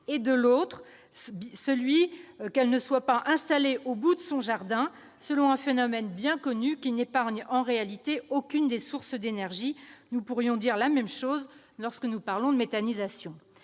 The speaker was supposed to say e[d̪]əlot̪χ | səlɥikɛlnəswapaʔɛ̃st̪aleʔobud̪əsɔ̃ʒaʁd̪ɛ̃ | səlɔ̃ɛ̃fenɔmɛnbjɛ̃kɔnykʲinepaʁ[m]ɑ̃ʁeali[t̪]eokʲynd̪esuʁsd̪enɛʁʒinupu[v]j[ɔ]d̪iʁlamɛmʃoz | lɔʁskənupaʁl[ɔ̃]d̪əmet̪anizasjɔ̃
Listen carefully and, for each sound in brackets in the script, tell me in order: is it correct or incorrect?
correct, incorrect: ɲ, correct, incorrect: ʁ, incorrect: ɔ̃, correct

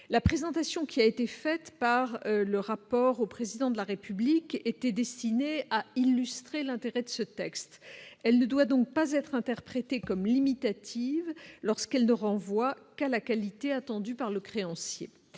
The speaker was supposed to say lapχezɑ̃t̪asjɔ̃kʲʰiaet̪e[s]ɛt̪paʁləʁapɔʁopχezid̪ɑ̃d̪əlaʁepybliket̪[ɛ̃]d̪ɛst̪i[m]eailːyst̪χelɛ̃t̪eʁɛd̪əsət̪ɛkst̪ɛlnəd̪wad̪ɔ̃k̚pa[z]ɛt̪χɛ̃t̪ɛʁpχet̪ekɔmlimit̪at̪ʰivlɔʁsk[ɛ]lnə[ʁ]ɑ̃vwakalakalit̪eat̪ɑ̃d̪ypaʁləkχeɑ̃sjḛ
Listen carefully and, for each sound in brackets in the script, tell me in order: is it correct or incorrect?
incorrect: f, incorrect: ɛ, incorrect: n, correct, correct, correct

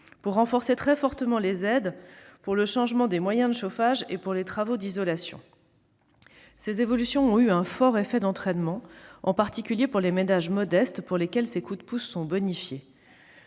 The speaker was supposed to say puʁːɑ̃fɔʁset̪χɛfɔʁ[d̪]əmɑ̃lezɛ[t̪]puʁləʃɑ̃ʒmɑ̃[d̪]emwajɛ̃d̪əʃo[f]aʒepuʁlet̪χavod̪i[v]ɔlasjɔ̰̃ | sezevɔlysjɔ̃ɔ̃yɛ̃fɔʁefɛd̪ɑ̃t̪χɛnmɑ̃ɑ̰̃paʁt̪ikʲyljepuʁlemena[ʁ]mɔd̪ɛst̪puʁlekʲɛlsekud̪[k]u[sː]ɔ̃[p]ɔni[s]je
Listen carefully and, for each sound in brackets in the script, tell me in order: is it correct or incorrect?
incorrect: t̪, incorrect: d̪, correct, correct, incorrect: z, incorrect: ʒ, incorrect: p, correct, incorrect: b, incorrect: f

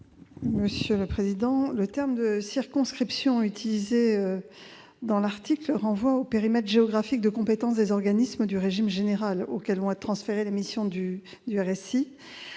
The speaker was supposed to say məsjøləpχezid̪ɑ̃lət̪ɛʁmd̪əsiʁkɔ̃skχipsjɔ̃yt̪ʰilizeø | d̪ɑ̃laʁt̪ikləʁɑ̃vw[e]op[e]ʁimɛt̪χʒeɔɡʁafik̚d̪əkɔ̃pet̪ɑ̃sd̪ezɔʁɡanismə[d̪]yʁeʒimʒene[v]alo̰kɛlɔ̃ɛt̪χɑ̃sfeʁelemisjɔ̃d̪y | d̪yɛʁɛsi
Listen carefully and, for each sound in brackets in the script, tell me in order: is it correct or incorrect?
incorrect: a, correct, correct, incorrect: ʁ

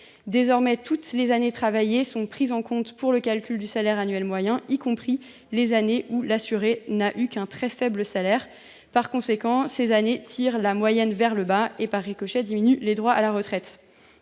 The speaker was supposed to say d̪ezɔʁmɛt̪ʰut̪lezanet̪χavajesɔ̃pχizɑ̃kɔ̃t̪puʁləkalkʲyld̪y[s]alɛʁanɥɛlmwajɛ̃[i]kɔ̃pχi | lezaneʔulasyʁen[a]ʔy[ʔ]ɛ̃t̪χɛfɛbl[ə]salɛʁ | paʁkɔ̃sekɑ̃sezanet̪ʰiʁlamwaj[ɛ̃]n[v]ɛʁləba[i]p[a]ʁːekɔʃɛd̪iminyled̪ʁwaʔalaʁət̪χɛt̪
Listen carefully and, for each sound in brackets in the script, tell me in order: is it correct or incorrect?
correct, correct, correct, incorrect: k, correct, incorrect: ɛ, correct, incorrect: e, correct

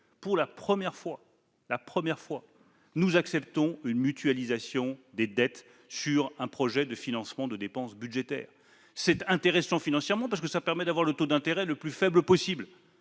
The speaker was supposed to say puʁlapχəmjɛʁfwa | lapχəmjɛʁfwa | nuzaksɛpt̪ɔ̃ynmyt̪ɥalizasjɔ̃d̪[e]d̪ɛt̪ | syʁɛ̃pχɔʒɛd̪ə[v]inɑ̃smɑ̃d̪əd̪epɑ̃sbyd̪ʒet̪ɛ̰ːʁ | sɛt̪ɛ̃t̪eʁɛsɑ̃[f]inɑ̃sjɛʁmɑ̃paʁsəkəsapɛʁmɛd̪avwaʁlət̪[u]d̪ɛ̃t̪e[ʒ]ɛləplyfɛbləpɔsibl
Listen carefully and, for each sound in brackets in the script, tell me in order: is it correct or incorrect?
correct, incorrect: f, correct, incorrect: o, incorrect: ʁ

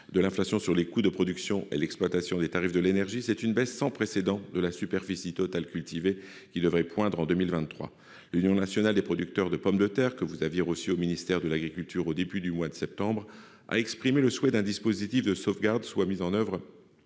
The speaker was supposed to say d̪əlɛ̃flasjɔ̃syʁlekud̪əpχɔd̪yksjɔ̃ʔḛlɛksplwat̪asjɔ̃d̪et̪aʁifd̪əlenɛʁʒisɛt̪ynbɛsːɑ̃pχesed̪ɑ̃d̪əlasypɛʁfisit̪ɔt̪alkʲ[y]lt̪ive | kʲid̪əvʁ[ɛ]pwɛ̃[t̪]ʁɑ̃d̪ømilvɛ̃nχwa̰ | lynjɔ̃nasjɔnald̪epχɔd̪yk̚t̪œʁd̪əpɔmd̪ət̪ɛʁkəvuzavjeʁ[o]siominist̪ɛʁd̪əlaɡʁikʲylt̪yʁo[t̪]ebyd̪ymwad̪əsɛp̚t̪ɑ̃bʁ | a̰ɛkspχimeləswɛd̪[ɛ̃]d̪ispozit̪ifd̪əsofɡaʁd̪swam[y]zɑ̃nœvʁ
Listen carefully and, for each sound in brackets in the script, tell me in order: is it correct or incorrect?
correct, correct, incorrect: d̪, correct, incorrect: d̪, correct, incorrect: i

